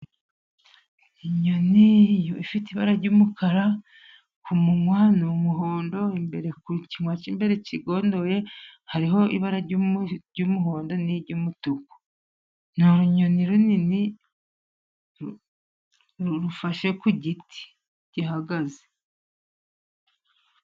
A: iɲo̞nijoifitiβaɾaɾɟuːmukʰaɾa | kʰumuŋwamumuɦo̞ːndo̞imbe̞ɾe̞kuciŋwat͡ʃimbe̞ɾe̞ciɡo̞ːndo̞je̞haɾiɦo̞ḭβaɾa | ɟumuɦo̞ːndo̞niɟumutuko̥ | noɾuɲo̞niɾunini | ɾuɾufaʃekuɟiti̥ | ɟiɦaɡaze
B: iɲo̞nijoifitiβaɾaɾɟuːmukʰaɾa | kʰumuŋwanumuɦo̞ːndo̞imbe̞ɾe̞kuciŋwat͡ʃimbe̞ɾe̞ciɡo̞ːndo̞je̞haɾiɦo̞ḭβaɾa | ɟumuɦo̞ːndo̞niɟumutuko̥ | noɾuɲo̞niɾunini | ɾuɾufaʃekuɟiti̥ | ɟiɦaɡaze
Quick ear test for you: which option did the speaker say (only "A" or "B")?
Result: B